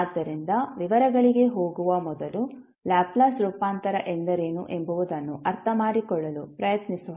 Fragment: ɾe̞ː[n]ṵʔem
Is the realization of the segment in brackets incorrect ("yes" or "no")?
no